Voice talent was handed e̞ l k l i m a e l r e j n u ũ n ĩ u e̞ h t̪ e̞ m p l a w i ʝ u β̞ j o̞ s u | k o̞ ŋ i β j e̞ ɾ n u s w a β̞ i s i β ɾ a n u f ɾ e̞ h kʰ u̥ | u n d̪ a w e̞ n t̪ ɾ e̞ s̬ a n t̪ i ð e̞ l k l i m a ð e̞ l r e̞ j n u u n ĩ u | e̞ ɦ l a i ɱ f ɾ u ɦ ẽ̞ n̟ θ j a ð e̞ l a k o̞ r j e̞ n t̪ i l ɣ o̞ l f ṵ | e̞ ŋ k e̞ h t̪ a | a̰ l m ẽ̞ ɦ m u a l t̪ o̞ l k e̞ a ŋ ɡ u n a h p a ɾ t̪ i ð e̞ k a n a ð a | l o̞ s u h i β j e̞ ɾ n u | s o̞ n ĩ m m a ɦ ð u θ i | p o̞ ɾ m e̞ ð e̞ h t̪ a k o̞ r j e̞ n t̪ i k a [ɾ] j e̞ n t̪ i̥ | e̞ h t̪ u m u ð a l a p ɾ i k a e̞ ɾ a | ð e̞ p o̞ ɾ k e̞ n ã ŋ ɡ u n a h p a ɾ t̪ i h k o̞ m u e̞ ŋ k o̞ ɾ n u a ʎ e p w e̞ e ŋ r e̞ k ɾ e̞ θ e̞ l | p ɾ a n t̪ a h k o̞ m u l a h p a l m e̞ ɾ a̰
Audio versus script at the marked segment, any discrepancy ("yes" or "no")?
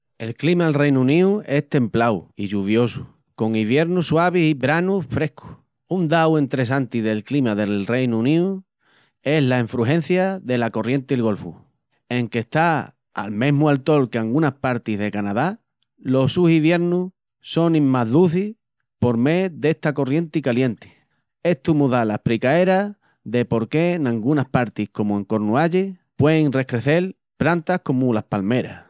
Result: yes